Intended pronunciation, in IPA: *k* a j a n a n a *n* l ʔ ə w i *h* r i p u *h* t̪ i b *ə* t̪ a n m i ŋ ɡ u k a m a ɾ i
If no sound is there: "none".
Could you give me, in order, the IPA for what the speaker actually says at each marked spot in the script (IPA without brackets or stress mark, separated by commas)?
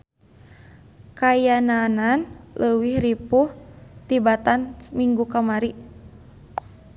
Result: k, n, h, h, a